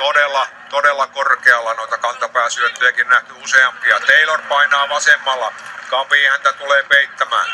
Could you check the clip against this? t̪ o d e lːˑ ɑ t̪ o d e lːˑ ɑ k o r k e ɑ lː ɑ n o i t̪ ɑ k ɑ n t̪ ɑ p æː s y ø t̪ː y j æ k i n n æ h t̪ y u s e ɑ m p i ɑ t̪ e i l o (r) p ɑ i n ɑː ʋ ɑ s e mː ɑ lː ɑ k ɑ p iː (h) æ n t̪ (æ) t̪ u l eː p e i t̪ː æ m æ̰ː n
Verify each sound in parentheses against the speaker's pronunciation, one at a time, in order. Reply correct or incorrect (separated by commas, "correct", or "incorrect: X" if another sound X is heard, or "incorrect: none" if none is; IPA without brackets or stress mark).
correct, correct, correct